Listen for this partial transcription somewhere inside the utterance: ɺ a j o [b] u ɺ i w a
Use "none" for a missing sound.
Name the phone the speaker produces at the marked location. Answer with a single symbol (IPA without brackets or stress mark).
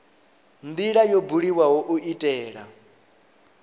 b